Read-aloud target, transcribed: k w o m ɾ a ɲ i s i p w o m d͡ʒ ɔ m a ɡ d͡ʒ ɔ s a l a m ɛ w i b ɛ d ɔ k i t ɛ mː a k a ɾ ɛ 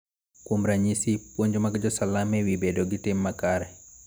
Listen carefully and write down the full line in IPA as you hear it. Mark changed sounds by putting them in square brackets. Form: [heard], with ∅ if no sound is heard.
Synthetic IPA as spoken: k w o m ɾ a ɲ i s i p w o [ɲ] d͡ʒ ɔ m a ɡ d͡ʒ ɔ s a l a m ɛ w i b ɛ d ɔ [ɡ] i t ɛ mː a k a ɾ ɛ